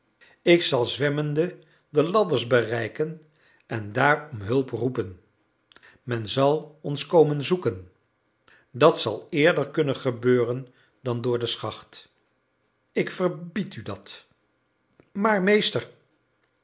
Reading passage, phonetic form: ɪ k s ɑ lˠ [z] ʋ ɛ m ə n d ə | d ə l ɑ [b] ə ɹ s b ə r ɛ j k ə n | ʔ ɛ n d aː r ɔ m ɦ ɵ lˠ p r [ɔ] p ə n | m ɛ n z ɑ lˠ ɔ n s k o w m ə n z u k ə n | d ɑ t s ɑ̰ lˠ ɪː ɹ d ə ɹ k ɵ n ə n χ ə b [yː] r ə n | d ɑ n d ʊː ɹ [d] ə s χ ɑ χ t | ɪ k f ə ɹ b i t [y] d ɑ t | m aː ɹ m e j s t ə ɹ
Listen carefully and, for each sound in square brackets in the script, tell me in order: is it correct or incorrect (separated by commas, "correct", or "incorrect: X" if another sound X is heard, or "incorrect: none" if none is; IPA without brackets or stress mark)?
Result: correct, incorrect: d, incorrect: u, incorrect: øː, correct, correct